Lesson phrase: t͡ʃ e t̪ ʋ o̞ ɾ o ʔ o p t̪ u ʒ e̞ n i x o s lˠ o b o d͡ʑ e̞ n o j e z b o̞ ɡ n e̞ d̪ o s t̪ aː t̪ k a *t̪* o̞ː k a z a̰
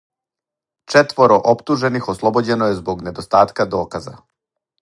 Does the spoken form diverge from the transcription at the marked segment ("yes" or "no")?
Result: yes